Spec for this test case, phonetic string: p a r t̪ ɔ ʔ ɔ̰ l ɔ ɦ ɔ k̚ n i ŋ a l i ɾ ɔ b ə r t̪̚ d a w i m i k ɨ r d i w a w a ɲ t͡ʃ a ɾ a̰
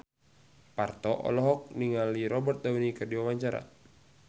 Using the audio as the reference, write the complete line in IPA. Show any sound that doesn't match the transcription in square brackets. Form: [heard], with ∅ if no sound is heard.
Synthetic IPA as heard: p a r t̪ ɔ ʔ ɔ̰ l ɔ ɦ ɔ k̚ n i ŋ a l i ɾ ɔ b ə r t̪̚ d a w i [n] i k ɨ r d i w a w a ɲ t͡ʃ a ɾ a̰